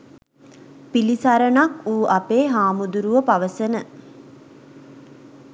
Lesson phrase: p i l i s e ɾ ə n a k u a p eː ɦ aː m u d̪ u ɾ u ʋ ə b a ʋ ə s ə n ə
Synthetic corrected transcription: p i l i s a ɾ ə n a k uː a p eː ɦ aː m u d̪ u ɾ u ʋ ə p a ʋ ə s ə n ə